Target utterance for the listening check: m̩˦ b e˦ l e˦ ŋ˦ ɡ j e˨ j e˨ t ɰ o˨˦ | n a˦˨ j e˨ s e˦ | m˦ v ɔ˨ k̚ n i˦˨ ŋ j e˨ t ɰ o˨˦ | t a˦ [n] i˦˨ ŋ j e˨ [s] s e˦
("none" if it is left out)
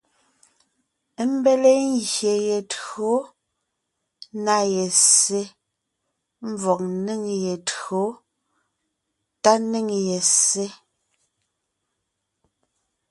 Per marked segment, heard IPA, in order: n, s

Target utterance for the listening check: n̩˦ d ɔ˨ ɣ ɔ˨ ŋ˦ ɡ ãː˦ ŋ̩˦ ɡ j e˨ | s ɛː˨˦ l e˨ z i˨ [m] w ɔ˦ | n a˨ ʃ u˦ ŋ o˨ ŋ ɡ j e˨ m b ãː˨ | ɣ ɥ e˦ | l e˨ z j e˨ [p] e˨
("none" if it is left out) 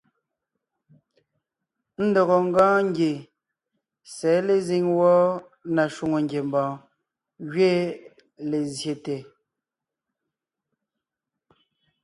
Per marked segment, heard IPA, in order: ŋ, t

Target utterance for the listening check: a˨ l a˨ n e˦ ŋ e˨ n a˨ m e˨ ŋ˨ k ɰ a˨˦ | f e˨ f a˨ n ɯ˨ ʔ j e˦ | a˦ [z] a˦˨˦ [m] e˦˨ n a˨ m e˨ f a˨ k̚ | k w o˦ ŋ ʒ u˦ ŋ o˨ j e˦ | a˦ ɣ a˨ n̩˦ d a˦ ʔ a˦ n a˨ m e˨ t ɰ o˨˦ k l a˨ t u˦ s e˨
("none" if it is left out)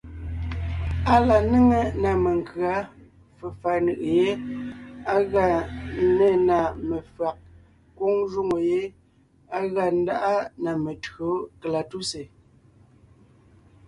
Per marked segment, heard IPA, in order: ɣ, n

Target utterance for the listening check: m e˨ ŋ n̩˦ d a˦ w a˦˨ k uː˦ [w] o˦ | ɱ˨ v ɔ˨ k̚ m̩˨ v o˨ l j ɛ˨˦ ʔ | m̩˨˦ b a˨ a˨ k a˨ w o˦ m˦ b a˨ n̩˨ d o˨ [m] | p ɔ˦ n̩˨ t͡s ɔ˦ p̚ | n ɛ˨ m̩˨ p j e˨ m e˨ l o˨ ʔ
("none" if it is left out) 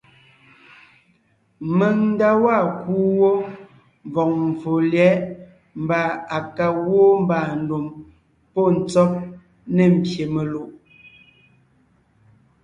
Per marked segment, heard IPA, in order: w, m

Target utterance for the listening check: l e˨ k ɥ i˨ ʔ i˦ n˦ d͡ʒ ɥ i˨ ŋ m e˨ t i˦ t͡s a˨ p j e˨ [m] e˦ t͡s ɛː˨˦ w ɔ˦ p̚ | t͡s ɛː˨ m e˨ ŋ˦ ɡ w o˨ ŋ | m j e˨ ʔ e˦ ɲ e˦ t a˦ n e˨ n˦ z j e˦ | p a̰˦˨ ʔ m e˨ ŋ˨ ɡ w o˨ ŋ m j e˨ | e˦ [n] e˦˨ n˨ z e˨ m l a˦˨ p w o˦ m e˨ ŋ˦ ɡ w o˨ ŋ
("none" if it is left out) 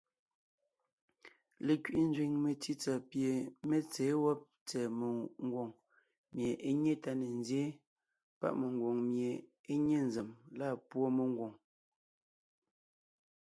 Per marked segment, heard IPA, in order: m, ɲ

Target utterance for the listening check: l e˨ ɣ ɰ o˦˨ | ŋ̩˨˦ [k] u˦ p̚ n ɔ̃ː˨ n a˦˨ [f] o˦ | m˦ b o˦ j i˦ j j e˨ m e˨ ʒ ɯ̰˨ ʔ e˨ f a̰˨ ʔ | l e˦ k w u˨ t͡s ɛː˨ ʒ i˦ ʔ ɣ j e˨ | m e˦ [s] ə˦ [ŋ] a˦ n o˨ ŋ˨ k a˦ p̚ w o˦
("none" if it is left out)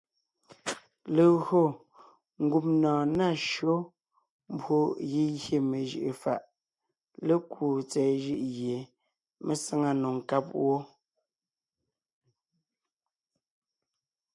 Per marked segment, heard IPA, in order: ɡ, ʃ, s, ŋ

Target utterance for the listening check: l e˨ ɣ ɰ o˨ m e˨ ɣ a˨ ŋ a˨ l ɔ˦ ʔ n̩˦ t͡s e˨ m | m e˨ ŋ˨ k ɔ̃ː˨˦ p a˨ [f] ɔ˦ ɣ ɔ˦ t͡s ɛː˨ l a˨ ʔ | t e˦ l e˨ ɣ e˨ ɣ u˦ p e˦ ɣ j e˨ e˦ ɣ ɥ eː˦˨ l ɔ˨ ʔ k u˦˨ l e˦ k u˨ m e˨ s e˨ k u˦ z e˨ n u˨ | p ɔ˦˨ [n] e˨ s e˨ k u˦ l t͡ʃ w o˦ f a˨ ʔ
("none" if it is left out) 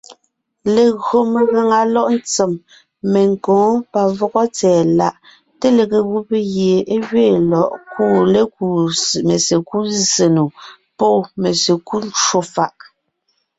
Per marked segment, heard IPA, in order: v, m

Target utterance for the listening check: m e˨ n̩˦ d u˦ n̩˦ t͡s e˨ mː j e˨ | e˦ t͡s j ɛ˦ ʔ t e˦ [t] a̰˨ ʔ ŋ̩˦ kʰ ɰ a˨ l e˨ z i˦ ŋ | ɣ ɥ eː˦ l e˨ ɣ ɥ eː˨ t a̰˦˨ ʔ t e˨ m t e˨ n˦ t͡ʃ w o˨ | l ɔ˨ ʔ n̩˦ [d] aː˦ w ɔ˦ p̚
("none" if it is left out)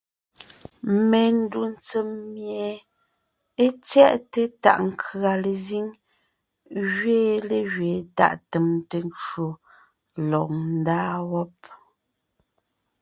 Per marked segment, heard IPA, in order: t, d

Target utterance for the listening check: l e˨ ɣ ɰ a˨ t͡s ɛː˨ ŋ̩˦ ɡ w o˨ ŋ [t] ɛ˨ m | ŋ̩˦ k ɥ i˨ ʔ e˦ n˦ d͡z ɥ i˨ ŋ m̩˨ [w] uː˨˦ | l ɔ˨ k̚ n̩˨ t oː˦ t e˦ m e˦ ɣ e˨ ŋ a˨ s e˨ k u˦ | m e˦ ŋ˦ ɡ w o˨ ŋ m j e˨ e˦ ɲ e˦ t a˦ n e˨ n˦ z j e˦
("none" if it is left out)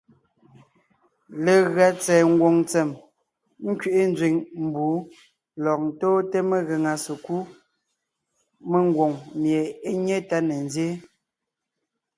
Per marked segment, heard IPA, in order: t͡s, b

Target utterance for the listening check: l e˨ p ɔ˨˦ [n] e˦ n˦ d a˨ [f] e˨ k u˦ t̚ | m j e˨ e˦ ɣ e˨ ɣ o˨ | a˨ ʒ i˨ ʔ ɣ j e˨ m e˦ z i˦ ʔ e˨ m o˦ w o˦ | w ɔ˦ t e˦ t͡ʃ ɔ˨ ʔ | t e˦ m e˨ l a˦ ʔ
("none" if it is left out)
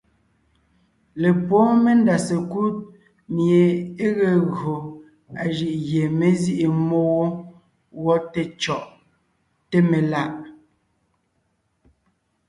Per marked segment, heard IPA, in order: m, s

